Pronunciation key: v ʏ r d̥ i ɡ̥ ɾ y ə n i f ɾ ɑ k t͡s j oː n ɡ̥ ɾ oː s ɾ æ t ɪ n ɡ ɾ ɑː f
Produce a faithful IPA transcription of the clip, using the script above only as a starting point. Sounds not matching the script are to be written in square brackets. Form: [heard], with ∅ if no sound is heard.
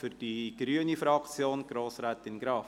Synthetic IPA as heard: [f] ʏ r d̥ i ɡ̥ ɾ y ə n i f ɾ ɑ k t͡s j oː n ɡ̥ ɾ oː s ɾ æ t ɪ n ɡ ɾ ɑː f